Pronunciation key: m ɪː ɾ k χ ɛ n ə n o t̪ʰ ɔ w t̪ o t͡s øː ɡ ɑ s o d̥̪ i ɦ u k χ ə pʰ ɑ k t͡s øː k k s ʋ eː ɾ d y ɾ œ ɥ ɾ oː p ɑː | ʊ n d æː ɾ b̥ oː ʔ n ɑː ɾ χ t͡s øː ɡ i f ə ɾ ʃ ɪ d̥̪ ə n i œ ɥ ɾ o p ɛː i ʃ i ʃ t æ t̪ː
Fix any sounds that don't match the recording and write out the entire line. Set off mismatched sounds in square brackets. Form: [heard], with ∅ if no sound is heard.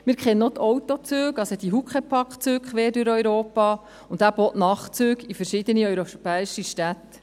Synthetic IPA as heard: m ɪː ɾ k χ ɛ n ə n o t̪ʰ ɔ w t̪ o t͡s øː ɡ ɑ s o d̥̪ i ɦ u k χ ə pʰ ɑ k t͡s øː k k [χ] ʋ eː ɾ d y ɾ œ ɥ ɾ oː p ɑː | ʊ n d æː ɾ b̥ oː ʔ n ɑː [∅] χ t͡s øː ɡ i f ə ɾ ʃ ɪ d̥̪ ə n i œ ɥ ɾ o p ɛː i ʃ i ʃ t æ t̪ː

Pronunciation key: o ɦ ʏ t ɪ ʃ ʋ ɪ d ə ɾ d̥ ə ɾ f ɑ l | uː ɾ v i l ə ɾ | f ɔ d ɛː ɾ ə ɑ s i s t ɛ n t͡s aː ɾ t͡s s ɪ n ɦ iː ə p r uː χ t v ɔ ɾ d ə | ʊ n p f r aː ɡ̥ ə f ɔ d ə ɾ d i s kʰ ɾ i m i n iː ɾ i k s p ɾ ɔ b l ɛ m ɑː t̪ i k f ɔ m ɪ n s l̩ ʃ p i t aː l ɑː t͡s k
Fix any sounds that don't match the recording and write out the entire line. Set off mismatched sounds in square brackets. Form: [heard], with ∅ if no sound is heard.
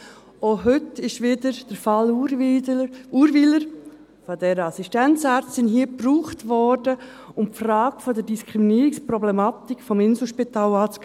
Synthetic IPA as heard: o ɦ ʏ t ɪ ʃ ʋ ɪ d ə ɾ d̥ ə ɾ f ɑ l | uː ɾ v i l ə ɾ | f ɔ d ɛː ɾ ə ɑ s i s t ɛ n t͡s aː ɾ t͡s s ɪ n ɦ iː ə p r uː χ t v ɔ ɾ d ə | ʊ [m] p f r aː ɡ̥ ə f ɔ d ə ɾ d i s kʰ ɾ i m i n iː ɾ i k s p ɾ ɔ b l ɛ m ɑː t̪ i k f ɔ m ɪ n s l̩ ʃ p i t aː l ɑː t͡s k

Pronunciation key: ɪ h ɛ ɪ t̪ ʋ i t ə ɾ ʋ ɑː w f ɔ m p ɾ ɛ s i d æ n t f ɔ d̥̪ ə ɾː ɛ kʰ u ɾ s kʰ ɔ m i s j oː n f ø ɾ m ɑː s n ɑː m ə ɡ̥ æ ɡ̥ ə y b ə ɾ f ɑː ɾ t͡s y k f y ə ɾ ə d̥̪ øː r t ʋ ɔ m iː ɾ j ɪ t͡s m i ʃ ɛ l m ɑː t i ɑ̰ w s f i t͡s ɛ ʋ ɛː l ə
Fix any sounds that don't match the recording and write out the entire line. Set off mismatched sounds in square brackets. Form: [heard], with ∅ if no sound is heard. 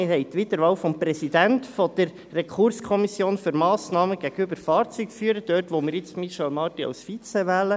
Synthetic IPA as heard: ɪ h ɛ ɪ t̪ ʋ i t ə ɾ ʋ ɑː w f ɔ m p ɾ ɛ s i d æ n t f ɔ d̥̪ ə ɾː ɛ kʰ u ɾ s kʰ ɔ m i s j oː n f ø ɾ m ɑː s n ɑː m ə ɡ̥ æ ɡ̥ ə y b ə ɾ f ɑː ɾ t͡s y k f y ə ɾ ə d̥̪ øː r t ʋ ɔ m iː ɾ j ɪ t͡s m i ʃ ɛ l m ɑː t i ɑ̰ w s f i t͡s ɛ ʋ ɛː l ə

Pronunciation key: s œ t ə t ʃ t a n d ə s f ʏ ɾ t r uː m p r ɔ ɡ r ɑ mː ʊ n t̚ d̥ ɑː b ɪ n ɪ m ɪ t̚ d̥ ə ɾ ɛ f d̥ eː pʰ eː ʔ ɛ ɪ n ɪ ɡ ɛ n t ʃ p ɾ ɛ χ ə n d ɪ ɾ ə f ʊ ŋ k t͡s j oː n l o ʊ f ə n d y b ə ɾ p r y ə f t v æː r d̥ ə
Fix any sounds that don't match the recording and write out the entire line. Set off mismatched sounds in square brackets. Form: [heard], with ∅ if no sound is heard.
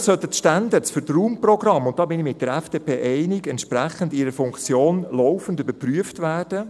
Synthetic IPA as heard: s œ t ə t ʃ t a n d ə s f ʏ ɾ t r uː m p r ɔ ɡ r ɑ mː ʊ n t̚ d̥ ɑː b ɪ n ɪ m ɪ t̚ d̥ ə ɾ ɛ f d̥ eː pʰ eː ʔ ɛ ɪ n ɪ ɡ ɛ n t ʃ p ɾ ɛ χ ə n d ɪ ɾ ə f ʊ ŋ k t͡s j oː n l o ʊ f ə n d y b ə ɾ p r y ə f t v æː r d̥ ə

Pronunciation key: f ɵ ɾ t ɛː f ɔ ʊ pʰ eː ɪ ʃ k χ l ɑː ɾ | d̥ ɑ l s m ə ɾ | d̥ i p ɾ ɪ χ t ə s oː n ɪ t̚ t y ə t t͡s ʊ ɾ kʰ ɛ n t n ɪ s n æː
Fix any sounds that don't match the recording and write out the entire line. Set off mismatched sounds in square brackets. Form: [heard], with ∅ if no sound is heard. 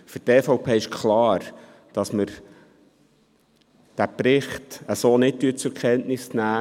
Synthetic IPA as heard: f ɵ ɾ t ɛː f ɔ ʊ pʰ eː ɪ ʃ k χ l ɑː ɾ | d̥ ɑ [∅] s m ə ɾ | d̥ [æ] p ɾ ɪ χ t ə s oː n ɪ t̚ t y ə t t͡s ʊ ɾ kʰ ɛ n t n ɪ s n æː

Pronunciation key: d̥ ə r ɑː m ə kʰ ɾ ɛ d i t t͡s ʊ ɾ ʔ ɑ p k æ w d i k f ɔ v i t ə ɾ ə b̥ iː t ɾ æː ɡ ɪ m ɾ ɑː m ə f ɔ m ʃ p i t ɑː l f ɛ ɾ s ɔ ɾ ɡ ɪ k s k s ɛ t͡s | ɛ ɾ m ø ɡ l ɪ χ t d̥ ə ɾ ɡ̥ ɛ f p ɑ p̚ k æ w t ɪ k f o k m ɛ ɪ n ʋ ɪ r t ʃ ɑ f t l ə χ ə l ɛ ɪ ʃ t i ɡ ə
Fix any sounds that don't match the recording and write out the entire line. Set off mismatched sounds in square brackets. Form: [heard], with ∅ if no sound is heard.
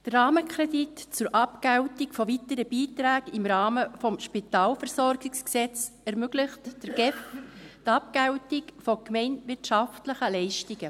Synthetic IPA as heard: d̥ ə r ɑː m ə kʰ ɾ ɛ d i t t͡s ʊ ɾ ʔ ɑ p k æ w [t] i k f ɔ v i t ə ɾ ə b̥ iː t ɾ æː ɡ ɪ m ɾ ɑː m ə f ɔ m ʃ p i t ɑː l f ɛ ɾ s ɔ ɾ ɡ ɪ k s k s ɛ t͡s | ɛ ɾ m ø ɡ l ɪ χ t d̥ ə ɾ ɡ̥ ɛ f [t] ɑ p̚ k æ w t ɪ k f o k m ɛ ɪ n ʋ ɪ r t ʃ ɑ f t l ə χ ə l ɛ ɪ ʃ t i ɡ ə

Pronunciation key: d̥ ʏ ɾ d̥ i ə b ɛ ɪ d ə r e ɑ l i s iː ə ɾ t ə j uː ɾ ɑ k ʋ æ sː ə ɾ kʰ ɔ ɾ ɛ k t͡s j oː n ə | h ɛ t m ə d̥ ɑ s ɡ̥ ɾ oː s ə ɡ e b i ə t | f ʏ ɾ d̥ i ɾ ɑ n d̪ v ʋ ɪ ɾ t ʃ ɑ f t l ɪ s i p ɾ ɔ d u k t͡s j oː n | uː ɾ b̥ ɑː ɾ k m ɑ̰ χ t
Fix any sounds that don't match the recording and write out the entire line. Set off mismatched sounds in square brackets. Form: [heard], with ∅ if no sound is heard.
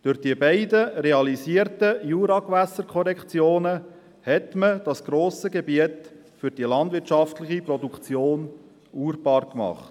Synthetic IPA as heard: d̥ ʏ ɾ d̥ i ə b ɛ ɪ d ə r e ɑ l i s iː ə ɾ t ə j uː ɾ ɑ k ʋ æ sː ə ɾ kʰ ɔ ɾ ɛ k t͡s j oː n ə | h ɛ t m ə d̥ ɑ s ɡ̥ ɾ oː s ə ɡ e b i ə t | f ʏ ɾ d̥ i [l] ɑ n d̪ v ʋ ɪ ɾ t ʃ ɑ f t l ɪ [χ] i p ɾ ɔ d u k t͡s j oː n | uː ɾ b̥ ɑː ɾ k m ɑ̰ χ t

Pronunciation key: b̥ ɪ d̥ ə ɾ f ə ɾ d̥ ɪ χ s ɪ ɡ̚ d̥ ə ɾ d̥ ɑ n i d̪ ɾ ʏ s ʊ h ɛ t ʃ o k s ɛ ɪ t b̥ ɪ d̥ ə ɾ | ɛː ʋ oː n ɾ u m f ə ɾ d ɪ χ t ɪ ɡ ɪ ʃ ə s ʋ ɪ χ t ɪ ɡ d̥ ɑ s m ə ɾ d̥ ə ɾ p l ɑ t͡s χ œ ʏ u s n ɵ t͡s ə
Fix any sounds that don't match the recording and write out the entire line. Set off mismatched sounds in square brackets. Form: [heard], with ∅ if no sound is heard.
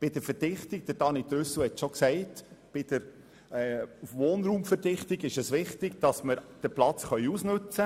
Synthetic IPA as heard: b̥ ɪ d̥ ə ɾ f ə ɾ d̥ ɪ χ [t] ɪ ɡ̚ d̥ ə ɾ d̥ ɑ n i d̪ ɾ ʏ s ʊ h ɛ t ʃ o k s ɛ ɪ t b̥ ɪ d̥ ə ɾ | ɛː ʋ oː n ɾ [uː] m f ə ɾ d ɪ χ t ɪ ɡ ɪ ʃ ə s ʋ ɪ χ t ɪ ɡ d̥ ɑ s m ə ɾ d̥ ə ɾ p l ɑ t͡s χ œ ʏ u s n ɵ t͡s ə

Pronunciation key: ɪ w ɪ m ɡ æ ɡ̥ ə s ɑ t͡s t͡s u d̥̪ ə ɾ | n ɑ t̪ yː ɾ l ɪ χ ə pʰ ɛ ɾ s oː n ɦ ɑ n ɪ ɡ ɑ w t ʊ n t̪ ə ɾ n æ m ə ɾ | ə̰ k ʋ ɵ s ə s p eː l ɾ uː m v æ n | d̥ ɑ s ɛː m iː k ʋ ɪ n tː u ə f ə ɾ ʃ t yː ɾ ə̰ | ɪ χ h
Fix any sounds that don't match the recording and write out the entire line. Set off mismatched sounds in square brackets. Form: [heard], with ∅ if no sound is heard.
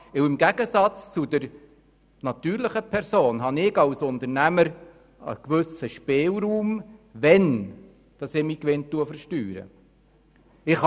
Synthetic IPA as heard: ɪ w ɪ m ɡ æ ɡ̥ ə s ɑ t͡s t͡s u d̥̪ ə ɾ | n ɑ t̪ yː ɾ l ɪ χ ə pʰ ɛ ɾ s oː n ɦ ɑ n ɪ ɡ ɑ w [s] ʊ n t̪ ə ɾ n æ m ə ɾ | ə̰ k ʋ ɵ s ə [ʃ] p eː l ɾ uː m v [ɛ] n | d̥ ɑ s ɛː m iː k ʋ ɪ n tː u ə f ə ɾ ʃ t yː ɾ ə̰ | ɪ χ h

